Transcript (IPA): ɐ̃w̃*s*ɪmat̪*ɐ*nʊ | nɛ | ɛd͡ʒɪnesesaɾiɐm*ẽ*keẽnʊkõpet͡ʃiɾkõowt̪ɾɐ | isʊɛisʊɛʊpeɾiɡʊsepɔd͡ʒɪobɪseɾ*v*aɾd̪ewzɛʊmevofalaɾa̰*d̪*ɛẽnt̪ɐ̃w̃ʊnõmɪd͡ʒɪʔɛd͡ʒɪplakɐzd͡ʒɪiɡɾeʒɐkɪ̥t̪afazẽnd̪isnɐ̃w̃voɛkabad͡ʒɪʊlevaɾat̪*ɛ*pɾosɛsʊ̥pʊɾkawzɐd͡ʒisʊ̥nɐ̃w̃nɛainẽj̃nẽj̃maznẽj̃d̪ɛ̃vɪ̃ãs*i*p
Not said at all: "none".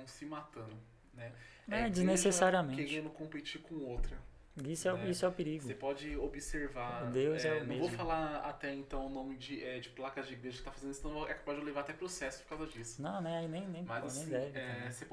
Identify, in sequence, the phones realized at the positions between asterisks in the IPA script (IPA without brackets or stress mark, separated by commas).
s, ɐ̃, ẽ, v, t̪, ɛ, e